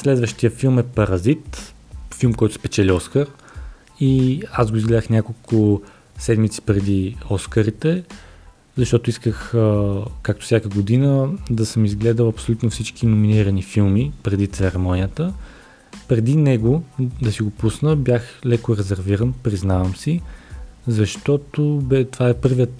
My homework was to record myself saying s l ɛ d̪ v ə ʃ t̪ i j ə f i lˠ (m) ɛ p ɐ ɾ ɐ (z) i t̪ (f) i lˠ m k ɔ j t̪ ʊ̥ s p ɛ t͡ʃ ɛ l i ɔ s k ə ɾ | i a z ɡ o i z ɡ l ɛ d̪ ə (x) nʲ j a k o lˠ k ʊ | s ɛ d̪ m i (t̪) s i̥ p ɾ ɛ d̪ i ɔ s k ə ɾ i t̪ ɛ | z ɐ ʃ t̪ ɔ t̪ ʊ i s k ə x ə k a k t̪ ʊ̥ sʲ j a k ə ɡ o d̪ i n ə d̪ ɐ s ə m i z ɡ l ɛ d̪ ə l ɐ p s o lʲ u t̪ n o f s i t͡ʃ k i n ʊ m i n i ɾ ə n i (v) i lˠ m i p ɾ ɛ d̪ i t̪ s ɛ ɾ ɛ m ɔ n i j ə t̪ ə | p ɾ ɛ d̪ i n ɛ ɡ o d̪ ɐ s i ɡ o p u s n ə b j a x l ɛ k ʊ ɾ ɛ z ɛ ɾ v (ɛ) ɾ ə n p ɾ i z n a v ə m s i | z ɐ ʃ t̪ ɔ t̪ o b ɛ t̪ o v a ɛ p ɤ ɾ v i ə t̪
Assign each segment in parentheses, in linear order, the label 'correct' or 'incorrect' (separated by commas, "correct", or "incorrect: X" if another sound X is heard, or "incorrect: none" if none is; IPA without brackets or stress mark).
correct, correct, correct, correct, correct, incorrect: f, incorrect: i